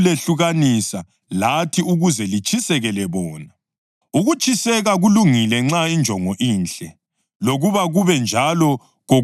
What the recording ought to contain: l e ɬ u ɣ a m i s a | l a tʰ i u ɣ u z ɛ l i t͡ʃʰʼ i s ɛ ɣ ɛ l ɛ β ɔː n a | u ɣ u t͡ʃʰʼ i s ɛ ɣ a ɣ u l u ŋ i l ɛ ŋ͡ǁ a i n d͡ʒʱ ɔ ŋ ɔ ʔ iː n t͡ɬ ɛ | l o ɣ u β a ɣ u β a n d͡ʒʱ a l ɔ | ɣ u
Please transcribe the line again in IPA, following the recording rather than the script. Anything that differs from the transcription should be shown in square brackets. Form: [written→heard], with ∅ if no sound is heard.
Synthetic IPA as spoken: l e ɬ u ɣ a [m→n] i s a | l a tʰ i u ɣ u z ɛ l i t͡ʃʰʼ i s ɛ ɣ ɛ l ɛ β ɔː n a | u ɣ u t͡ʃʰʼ i s ɛ ɣ a ɣ u l u ŋ i l ɛ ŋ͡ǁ a i n d͡ʒʱ ɔ ŋ ɔ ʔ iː n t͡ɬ ɛ | l o ɣ u β a ɣ u β [a→ɛ] n d͡ʒʱ a l ɔ | ɣ [u→o]

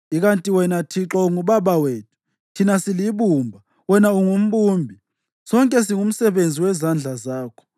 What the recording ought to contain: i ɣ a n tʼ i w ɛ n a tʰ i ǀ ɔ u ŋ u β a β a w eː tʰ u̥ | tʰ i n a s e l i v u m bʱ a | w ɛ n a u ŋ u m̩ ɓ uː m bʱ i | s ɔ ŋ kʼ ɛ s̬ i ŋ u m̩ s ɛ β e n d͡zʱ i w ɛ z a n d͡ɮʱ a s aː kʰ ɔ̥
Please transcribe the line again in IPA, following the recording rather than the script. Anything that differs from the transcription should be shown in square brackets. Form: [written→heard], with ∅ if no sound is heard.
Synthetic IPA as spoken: i ɣ a n tʼ i w ɛ n a tʰ i [ǀ→ǁ] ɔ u ŋ u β a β a w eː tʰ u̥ | tʰ i n a s [e→i] l i [v→β] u m bʱ a | w ɛ n a u ŋ u m̩ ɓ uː m bʱ i | s ɔ ŋ kʼ ɛ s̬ i ŋ u m̩ s ɛ β e n d͡zʱ i w ɛ z a n d͡ɮʱ a [s→z] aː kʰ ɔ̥

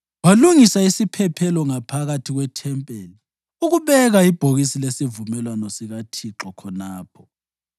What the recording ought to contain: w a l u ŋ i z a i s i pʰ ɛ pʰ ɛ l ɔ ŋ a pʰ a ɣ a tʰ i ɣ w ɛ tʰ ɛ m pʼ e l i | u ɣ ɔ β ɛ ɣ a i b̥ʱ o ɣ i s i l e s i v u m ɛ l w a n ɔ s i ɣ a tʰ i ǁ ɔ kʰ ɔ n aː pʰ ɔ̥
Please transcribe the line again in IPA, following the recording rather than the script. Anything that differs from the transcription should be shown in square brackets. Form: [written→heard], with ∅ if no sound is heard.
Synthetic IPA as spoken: w a l u ŋ i [z→s] a i s i pʰ ɛ pʰ ɛ l ɔ ŋ a pʰ a ɣ a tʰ i ɣ w ɛ tʰ ɛ m pʼ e l i | u ɣ [ɔ→u] β ɛ ɣ a i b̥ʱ o ɣ i s i l e s i v u m ɛ l w a n ɔ s i ɣ a tʰ i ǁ ɔ kʰ ɔ n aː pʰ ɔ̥

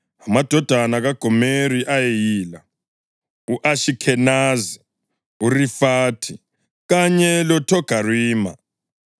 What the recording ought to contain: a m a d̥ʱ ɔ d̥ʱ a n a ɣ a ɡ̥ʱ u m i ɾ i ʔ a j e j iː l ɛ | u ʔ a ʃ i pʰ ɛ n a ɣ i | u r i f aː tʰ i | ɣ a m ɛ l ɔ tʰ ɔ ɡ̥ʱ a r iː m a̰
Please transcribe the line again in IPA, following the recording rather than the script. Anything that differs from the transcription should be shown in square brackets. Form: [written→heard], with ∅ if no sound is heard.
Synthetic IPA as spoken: a m a d̥ʱ ɔ d̥ʱ a n a ɣ a ɡ̥ʱ [u→ɔ] m [i→e] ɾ i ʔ a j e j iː l [ɛ→a] | u ʔ a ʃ i [pʰ→kʰ] ɛ n a [ɣ→z] i | u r i f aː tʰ i | ɣ a [m→ɲ] ɛ l ɔ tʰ ɔ ɡ̥ʱ a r iː m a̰

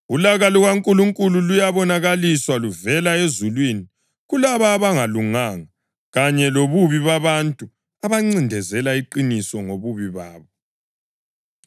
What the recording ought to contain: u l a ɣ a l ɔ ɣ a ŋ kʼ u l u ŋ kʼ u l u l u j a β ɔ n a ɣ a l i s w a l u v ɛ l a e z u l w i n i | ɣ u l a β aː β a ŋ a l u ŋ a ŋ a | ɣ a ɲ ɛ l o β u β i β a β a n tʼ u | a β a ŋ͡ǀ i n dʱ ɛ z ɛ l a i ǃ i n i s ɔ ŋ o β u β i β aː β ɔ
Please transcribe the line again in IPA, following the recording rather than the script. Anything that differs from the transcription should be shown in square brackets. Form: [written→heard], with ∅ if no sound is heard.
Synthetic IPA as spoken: u l a ɣ a l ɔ ɣ a ŋ kʼ u l u ŋ kʼ u l u l u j a β ɔ n a ɣ a l i s w a l u v ɛ l a e z u l w i n i | ɣ u l a β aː β a ŋ a l u ŋ a ŋ a | ɣ a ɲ ɛ l o β u β i β a β a n tʼ u | a β a ŋ͡ǀ i n dʱ ɛ z ɛ l a i ǃ i n i s ɔ ŋ o β u β i β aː β ɔ

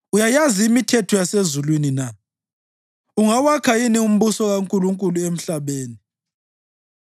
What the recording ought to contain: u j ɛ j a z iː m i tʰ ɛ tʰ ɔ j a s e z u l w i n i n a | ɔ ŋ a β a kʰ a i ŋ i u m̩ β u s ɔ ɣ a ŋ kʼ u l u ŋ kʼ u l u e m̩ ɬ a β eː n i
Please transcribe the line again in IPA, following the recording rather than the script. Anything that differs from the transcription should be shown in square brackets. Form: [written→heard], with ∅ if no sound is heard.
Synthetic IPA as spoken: u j [ɛ→a] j a z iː m i tʰ ɛ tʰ ɔ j a s e z u l w i n i n a | [ɔ→u] ŋ a [β→w] a kʰ a i [ŋ→n] i u m̩ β u s ɔ ɣ a ŋ kʼ u l u ŋ kʼ u l u e m̩ ɬ a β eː n i

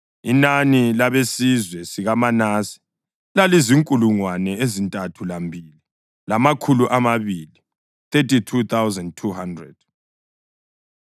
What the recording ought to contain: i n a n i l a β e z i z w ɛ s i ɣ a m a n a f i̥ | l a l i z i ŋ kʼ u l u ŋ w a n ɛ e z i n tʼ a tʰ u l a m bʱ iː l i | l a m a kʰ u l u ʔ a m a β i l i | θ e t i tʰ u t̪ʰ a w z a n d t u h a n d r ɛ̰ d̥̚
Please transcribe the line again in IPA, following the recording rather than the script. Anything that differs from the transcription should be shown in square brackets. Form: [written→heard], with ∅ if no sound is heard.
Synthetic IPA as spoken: i n a n i l a β e [z→s] i z w ɛ s i ɣ a m a n a [f→s] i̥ | l a l i z i ŋ kʼ u l u ŋ w a n ɛ e z i n tʼ a tʰ u l a m bʱ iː l i | l a m a kʰ u l u ʔ a m a β i l i | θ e t i tʰ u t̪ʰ a w z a n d [t→tʰ] u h a n d r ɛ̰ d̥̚

